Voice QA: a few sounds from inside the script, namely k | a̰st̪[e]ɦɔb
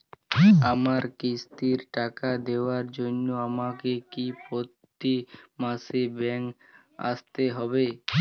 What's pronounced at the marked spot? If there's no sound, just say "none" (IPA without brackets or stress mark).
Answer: e